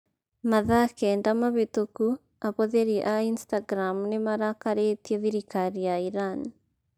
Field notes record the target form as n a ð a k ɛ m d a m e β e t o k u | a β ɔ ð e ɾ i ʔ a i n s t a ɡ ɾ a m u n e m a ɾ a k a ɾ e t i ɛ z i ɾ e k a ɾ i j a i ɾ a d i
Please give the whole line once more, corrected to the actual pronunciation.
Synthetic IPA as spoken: m a ð a k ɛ n d a m a β e t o k u | a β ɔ ð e ɾ i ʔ a i n s t a ɡ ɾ a m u n e m a ɾ a k a ɾ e t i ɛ ð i ɾ i k a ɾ i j a i ɾ a n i